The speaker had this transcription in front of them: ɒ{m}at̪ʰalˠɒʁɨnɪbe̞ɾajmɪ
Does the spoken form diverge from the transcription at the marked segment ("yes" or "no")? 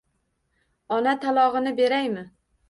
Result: yes